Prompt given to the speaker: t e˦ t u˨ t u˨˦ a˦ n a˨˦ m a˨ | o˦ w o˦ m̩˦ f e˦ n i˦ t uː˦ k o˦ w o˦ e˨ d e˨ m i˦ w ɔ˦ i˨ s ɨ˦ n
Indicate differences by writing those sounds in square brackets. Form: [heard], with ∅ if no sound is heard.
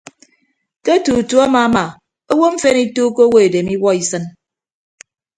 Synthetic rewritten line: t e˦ t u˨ t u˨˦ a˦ [m] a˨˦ m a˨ | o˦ w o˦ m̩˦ f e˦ n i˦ t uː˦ k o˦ w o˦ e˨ d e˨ m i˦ w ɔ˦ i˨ s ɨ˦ n